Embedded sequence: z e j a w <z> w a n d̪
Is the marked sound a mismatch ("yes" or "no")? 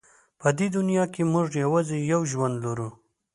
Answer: yes